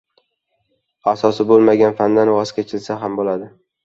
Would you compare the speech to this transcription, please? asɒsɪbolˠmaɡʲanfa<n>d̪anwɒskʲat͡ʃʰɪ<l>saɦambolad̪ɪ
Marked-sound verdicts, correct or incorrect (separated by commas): correct, correct